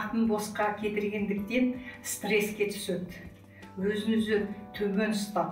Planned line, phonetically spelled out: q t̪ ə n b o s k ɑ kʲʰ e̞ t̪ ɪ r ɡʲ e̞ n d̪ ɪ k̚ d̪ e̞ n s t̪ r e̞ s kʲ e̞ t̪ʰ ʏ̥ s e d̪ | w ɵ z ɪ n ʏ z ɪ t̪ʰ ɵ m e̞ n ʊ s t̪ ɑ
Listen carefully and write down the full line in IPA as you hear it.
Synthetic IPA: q t̪ ə n b o s q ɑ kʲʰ e̞ t̪ ɪ ɾ ɡʲ e̞ n d̪ ɪ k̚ t̪ e̞ n s t̪ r e̞ s kʲ e̞ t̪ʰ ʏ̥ s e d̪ | w ɵ z ɪ n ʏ z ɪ t̪ʰ ɵ m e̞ n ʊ s t̪ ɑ